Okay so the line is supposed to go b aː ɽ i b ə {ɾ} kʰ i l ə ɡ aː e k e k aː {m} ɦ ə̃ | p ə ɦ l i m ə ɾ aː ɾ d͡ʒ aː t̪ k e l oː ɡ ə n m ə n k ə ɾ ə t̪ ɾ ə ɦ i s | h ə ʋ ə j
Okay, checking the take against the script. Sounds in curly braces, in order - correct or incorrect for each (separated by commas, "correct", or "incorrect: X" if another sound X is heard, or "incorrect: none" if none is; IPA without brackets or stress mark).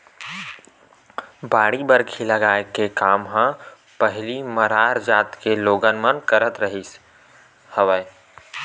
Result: correct, correct